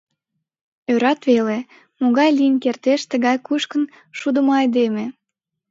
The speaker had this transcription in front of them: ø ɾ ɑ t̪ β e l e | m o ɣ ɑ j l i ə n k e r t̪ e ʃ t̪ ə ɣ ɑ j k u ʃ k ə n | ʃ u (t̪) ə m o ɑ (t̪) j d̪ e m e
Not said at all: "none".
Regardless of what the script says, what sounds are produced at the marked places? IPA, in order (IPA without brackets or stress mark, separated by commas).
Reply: d̪, none